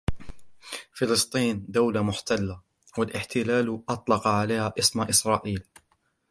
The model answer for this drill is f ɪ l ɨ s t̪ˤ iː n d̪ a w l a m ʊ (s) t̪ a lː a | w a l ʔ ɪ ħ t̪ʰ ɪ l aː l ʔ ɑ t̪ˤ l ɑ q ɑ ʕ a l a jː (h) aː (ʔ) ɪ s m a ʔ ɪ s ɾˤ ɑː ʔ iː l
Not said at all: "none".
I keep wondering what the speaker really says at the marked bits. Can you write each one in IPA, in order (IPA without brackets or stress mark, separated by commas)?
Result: ħ, h, ʔ